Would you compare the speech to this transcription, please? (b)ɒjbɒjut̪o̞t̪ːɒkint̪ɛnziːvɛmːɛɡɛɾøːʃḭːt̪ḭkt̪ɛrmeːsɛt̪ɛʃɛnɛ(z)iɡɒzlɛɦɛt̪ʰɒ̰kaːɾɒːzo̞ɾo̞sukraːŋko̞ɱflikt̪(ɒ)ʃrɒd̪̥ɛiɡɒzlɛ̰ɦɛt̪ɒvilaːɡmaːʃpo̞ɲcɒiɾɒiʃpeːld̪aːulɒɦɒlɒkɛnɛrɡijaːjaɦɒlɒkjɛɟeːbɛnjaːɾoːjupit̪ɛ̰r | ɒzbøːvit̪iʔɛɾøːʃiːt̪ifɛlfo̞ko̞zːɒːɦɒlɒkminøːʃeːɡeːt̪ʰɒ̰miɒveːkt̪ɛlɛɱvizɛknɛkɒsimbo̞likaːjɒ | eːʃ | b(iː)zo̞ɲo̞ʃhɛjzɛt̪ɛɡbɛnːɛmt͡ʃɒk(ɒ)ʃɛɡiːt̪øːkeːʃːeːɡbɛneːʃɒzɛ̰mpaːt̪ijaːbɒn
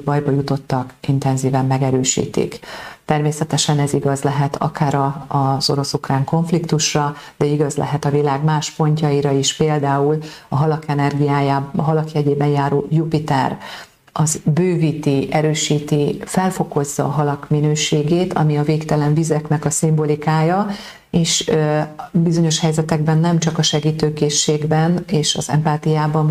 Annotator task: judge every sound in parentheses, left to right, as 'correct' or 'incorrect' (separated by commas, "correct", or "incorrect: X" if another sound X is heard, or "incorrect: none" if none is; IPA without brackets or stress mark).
correct, correct, incorrect: u, incorrect: i, correct